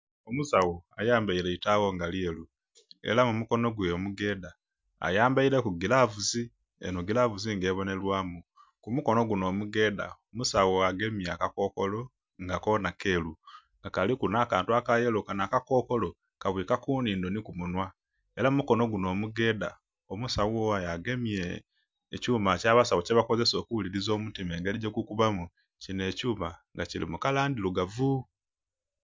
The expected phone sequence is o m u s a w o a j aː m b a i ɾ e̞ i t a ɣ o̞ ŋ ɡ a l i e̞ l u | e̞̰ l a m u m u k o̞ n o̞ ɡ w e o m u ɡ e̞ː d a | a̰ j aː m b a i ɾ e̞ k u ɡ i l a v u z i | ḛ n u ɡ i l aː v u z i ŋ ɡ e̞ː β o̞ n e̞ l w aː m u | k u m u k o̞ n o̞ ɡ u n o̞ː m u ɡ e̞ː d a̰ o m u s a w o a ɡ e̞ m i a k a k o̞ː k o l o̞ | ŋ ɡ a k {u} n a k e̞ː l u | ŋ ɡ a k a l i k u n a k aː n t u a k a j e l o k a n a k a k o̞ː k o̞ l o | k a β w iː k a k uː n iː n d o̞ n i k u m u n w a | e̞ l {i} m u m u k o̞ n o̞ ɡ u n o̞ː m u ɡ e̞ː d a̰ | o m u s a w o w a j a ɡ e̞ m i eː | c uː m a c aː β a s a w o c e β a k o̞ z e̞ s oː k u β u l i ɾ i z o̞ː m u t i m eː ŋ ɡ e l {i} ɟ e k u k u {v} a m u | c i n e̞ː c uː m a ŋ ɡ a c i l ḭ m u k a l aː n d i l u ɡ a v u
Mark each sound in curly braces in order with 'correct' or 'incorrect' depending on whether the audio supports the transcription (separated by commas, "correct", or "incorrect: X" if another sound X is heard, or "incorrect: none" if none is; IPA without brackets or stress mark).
incorrect: o, incorrect: a, correct, incorrect: β